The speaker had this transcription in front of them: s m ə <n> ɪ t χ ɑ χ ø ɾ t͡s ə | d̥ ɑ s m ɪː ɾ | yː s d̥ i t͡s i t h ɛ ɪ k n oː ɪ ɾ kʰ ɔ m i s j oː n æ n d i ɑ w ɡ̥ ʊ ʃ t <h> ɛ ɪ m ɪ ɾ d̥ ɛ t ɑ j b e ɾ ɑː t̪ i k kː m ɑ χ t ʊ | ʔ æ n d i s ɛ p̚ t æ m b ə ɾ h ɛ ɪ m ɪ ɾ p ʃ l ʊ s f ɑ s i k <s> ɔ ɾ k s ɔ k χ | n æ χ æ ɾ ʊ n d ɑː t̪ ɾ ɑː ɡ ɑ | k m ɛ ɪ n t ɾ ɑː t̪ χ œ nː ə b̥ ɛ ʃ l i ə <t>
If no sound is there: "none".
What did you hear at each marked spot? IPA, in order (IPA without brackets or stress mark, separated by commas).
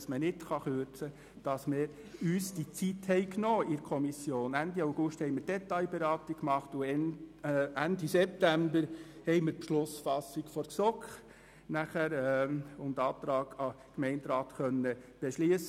n, h, f, s